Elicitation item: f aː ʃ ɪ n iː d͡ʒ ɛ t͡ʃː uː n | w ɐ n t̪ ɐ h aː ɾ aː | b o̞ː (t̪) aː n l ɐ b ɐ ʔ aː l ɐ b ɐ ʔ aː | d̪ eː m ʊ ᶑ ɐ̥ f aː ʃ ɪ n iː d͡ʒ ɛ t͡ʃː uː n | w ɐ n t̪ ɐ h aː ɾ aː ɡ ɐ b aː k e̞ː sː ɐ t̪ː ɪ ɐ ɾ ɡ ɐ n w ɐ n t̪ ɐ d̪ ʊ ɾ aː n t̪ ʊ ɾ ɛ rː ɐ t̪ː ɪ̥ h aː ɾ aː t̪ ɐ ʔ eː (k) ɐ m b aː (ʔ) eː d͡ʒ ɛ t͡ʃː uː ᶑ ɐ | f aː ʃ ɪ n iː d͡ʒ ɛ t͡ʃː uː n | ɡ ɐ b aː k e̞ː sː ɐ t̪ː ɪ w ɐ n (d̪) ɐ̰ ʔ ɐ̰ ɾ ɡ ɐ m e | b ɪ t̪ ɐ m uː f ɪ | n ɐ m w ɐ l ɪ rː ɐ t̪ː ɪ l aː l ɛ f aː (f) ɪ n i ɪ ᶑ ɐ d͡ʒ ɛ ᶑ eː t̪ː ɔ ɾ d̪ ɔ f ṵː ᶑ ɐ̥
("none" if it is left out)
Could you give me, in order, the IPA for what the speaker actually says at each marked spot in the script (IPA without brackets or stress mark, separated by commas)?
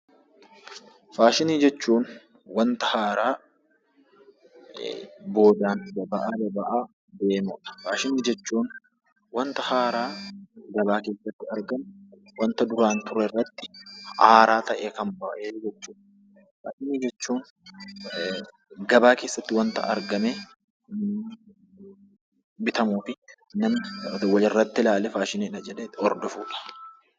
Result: d̪, k, ʔ, t̪, ʃ